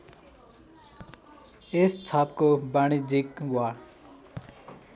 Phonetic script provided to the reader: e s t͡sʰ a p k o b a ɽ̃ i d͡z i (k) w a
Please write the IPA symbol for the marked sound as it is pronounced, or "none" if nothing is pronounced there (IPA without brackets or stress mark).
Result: k